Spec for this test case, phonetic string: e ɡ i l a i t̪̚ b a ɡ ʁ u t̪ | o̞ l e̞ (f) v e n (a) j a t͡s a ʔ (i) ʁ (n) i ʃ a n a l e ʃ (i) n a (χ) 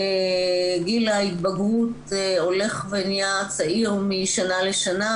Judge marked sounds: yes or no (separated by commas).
no, no, yes, no, no, no